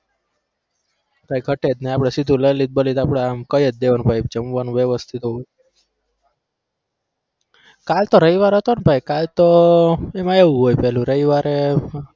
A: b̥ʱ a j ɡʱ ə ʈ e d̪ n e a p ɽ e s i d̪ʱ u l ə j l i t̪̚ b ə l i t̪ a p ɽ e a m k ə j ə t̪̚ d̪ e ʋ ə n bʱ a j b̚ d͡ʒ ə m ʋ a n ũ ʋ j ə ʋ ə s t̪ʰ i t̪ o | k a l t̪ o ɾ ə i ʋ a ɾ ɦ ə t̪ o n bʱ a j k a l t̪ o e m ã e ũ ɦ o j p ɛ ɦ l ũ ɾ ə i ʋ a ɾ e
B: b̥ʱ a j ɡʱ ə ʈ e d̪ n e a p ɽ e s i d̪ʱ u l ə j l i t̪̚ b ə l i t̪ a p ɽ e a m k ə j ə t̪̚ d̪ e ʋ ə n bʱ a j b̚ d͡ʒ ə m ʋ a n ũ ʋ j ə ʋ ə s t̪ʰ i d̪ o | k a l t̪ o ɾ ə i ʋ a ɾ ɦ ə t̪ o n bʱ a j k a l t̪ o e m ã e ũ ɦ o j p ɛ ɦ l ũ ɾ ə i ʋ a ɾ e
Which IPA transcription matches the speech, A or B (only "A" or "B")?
A